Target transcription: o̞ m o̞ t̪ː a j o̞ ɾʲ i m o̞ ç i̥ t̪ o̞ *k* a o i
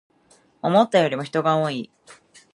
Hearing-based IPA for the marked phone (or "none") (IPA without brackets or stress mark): ɡ